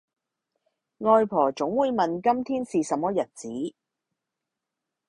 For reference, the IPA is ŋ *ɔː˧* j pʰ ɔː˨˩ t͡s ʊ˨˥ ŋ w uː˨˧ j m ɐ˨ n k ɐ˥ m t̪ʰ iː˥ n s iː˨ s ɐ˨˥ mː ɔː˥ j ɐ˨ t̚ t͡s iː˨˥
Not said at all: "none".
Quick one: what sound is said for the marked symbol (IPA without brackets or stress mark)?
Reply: ɔː˧